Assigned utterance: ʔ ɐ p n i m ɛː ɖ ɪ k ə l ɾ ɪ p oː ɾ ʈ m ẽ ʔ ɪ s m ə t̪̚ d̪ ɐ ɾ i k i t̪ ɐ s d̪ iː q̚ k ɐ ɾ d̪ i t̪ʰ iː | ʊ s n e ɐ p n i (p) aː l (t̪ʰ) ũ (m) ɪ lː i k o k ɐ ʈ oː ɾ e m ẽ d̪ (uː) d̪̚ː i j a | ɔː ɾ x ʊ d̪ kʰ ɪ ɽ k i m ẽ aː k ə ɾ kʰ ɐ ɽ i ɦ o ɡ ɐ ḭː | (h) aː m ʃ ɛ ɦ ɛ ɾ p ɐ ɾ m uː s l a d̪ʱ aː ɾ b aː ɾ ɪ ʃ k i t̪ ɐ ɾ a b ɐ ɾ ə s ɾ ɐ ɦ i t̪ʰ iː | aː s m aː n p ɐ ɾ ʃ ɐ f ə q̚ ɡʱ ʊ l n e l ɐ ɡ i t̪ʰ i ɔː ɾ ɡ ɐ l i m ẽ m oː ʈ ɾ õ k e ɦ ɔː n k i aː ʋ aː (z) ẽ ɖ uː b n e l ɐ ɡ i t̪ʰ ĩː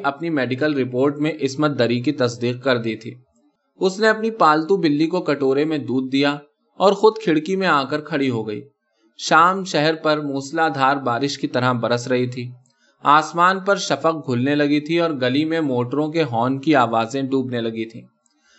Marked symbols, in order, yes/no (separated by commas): yes, no, no, yes, no, yes